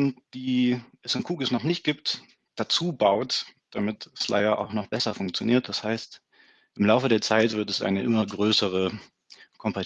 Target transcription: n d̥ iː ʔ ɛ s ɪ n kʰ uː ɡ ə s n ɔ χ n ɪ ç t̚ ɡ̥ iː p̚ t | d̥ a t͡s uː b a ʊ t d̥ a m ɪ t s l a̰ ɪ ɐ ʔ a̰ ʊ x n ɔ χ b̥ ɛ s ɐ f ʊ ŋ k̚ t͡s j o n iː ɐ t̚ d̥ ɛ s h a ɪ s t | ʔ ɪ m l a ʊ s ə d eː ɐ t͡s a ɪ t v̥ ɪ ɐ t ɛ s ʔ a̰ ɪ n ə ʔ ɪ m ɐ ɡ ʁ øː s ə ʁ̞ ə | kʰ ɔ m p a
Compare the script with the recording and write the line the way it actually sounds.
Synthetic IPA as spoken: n d̥ iː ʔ ɛ s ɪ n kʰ uː ɡ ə s n ɔ χ n ɪ ç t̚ ɡ̥ iː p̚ t | d̥ a t͡s uː b a ʊ t d̥ a m ɪ t s l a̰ ɪ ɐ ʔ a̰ ʊ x n ɔ χ b̥ ɛ s ɐ f ʊ ŋ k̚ t͡s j o n iː ɐ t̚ d̥ a s h a ɪ s t | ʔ ɪ m l a ʊ f ə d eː ɐ t͡s a ɪ t v̥ ɪ ɐ t ɛ s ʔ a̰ ɪ n ə ʔ ɪ m ɐ ɡ ʁ øː s ə ʁ̞ ə | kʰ ɔ m p a